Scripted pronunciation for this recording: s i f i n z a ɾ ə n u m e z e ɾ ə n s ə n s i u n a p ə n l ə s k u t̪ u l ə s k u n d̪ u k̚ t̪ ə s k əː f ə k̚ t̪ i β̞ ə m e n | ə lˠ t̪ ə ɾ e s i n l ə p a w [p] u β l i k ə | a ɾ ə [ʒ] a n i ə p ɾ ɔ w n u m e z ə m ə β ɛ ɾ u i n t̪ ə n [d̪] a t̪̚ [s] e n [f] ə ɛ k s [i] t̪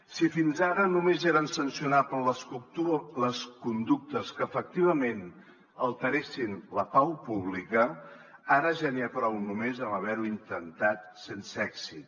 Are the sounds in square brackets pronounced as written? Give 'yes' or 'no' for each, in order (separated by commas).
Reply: yes, yes, no, yes, no, yes